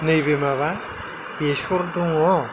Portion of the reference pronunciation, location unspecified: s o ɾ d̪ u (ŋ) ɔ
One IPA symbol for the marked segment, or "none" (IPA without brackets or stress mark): ŋ